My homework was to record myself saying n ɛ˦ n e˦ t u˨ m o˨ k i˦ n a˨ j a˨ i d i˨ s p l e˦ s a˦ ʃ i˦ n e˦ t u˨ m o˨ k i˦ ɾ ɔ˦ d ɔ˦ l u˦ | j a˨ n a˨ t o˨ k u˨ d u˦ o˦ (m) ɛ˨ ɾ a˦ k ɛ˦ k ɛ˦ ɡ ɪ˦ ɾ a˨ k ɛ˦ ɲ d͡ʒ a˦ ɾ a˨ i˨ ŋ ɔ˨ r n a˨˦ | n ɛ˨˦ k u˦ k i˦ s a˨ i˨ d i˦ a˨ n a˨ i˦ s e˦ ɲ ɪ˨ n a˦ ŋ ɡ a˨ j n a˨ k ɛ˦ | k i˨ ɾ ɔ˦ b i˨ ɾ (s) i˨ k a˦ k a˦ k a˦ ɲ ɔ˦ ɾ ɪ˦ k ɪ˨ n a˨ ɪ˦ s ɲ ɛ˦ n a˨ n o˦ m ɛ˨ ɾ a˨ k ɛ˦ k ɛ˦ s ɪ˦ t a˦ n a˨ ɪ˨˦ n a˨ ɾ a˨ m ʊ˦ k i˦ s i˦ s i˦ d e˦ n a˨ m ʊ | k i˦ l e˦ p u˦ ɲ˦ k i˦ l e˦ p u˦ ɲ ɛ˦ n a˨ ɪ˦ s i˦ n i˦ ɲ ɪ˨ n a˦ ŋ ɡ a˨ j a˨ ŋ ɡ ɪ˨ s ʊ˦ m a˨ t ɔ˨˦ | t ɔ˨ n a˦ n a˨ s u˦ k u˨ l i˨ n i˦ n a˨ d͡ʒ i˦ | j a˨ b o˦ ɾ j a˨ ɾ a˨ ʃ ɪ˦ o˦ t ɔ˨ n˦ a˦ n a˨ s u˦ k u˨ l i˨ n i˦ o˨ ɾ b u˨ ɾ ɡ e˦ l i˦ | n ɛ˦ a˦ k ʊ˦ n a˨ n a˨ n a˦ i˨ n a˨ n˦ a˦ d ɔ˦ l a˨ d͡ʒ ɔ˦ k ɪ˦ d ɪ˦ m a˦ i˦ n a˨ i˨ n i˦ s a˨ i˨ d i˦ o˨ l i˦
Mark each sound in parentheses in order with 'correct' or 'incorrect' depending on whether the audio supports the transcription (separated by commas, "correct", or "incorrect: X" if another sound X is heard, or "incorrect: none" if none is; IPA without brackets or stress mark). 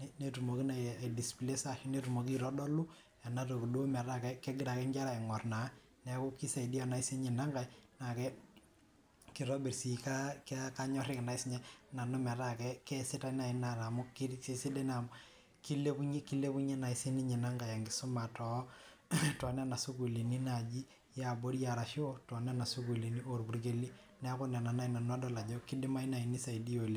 correct, correct